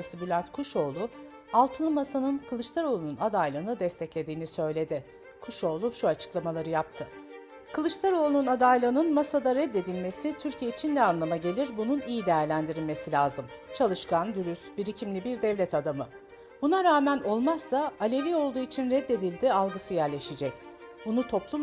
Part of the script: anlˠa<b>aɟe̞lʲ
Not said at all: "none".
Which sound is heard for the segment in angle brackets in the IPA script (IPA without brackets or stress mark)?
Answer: m